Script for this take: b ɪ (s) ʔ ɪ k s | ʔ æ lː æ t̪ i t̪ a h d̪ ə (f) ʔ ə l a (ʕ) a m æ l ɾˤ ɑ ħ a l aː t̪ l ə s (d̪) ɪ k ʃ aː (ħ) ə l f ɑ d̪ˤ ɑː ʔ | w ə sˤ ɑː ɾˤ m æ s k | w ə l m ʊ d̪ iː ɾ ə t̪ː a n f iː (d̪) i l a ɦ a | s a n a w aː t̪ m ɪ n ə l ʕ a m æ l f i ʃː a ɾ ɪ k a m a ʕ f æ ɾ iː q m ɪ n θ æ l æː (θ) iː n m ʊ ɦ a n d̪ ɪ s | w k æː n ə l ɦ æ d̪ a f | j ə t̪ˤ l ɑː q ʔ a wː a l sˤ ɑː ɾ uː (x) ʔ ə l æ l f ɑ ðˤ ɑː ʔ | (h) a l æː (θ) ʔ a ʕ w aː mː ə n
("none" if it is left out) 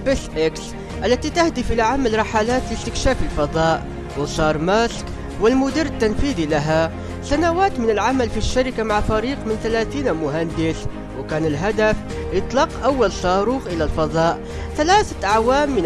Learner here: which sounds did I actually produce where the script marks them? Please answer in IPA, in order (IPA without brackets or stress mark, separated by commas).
s, f, ʕ, t̪, f, d̪, θ, x, θ, θ